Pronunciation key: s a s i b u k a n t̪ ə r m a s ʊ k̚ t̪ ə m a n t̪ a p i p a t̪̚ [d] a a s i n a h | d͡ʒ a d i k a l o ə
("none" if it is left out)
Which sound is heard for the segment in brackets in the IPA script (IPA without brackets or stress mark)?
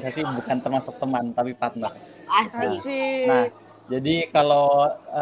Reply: n